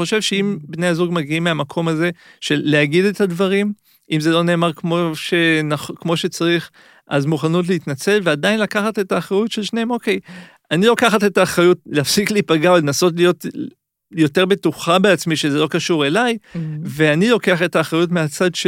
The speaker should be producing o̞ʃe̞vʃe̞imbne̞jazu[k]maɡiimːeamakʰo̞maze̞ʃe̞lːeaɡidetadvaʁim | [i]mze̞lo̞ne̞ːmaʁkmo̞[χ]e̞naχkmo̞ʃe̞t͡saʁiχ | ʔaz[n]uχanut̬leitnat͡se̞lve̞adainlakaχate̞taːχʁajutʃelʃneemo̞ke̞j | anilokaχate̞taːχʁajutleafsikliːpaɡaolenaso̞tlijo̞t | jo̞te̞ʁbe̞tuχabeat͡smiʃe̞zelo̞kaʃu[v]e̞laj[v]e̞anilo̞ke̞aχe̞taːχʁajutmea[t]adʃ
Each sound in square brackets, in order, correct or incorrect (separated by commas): incorrect, correct, incorrect, incorrect, incorrect, correct, incorrect